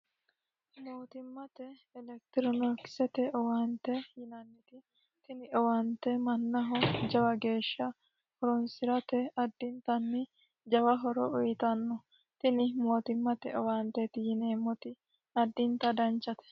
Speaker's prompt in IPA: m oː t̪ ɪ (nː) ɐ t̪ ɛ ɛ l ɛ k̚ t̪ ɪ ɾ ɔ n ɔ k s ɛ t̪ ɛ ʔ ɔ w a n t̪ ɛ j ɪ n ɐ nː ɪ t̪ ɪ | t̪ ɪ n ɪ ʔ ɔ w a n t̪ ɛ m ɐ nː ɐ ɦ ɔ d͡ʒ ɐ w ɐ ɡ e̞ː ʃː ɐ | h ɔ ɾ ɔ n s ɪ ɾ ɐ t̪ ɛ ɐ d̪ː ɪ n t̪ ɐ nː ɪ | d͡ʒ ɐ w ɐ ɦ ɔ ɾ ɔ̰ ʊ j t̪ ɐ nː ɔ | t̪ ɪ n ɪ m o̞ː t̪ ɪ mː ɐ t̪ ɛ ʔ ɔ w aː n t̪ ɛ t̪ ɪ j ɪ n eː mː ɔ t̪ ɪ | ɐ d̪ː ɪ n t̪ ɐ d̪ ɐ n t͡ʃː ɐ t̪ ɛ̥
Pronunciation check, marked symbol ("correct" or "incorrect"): incorrect